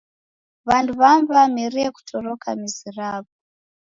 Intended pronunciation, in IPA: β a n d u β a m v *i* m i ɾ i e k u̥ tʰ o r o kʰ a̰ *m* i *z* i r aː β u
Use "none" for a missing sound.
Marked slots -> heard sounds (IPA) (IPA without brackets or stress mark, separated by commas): a, m, z